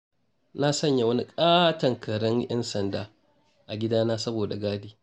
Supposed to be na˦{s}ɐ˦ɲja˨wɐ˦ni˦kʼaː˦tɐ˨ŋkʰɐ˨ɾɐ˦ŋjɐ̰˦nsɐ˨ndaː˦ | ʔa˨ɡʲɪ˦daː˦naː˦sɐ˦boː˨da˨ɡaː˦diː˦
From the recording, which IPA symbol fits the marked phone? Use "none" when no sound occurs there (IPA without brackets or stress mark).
s